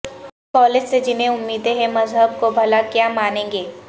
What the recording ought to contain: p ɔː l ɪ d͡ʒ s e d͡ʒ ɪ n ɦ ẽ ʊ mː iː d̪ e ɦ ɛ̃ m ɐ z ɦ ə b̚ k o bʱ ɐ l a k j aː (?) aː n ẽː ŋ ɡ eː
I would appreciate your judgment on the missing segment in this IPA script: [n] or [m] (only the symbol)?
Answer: m